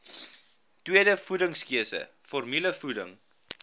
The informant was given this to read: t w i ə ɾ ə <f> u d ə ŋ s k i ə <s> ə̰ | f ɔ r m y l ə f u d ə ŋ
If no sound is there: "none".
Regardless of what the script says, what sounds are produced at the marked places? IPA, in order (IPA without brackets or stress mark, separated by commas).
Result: f, s